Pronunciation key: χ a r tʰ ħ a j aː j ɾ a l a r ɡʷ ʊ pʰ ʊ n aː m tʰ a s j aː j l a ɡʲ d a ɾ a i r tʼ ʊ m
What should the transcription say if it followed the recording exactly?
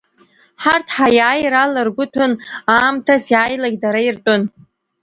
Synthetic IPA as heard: ħ a r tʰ ħ a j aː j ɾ a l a r ɡʷ ʊ tʰ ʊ n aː m tʰ a s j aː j l a ɡʲ d a ɾ a i r tʼ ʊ n